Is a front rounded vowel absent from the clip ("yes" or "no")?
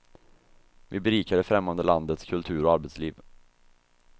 yes